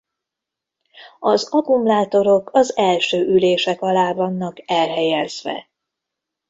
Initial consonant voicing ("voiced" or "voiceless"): voiced